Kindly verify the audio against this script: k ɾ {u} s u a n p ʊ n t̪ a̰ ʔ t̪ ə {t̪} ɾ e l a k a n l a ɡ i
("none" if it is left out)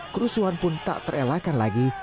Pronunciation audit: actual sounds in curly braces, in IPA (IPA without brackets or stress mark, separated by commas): u, none